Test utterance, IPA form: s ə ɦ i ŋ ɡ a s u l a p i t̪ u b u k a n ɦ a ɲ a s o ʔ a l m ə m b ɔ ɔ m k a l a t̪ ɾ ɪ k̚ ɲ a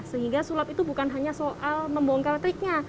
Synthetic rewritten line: s ə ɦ i ŋ ɡ a s u l a p i t̪ u b u k a n ɦ a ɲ a s o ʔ a l m ə m b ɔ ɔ ŋ k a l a t̪ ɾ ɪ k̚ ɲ a